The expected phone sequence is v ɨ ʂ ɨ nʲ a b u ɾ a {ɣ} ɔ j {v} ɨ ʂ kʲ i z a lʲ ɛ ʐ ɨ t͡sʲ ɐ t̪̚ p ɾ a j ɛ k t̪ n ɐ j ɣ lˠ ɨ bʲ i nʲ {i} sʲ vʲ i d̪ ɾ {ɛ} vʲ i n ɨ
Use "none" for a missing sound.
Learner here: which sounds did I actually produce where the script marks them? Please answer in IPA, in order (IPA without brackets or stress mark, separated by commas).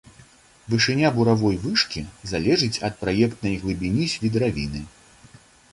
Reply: v, v, i, a